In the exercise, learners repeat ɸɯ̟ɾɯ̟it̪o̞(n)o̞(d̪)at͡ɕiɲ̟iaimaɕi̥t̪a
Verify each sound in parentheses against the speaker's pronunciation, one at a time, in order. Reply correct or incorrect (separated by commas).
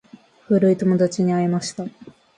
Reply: incorrect, correct